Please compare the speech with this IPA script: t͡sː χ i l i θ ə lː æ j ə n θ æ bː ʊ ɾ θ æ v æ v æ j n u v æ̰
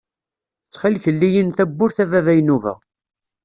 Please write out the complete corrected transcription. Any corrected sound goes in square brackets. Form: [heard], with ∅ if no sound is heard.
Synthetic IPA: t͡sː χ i l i θ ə lː [i] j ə n θ æ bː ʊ ɾ θ æ v æ v æ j n u v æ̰